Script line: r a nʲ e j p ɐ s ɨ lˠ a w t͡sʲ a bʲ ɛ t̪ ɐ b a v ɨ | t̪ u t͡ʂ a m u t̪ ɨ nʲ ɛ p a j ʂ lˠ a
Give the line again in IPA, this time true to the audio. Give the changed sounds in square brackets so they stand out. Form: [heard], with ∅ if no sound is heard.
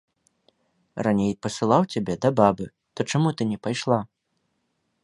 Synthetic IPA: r a nʲ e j p ɐ s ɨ lˠ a w t͡sʲ a bʲ ɛ [d̪] ɐ b a [b] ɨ | t̪ [ɔ] t͡ʂ a m u t̪ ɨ nʲ ɛ p a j ʂ lˠ a